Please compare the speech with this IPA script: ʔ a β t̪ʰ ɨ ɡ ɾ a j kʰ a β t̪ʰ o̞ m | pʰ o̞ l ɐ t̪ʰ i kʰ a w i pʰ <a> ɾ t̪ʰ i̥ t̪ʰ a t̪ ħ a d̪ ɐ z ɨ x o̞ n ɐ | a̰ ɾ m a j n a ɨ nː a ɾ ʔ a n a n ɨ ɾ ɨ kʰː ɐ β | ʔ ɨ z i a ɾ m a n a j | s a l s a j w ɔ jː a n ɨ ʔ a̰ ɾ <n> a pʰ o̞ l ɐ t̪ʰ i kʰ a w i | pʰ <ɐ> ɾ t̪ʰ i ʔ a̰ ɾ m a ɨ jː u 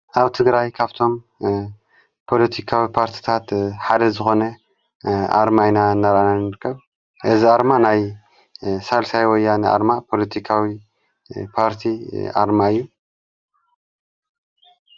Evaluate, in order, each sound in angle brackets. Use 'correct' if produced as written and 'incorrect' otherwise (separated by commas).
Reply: correct, incorrect, incorrect